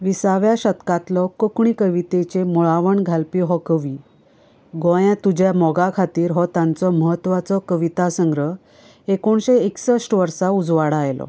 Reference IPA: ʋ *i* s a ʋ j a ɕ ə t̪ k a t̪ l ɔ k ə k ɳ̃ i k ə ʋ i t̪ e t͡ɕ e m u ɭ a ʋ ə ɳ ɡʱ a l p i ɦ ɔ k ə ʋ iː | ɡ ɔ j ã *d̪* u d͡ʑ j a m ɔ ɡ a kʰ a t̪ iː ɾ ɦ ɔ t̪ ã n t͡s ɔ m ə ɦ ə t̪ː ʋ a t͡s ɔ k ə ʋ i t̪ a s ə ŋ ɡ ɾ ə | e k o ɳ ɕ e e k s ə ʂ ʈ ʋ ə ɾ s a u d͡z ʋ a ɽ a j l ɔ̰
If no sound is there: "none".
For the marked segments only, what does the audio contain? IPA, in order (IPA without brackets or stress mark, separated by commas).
i, t̪